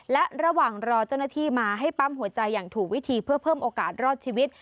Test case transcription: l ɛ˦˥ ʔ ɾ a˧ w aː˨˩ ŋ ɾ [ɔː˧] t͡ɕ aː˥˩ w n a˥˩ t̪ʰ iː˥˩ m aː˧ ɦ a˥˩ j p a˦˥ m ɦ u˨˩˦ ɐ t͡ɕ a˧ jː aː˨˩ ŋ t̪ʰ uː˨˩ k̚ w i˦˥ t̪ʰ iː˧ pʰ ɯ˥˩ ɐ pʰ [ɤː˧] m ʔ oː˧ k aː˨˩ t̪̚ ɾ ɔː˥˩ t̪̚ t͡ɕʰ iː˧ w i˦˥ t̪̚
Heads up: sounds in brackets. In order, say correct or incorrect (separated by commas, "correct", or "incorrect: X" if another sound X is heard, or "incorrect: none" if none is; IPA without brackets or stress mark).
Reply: correct, incorrect: ɤː˥˩